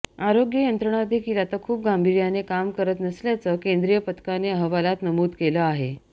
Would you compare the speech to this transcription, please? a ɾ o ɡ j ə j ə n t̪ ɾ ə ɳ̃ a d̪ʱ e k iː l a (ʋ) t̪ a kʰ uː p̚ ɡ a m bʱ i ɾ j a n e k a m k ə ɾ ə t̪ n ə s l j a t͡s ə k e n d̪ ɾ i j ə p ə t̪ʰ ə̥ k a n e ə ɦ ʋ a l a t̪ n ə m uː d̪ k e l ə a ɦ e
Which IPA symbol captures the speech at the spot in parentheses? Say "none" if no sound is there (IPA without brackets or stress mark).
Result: none